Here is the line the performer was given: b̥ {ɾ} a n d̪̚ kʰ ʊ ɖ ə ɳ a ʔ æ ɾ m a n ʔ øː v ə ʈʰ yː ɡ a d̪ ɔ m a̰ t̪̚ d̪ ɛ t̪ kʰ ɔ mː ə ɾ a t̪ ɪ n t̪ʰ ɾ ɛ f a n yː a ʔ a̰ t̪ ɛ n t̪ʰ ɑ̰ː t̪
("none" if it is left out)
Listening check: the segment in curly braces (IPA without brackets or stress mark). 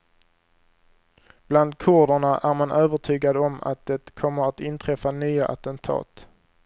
l